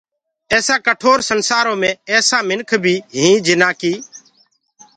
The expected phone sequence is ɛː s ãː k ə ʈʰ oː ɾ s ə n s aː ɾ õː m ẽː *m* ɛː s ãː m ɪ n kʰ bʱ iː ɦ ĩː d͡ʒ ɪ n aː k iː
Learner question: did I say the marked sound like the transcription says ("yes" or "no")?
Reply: no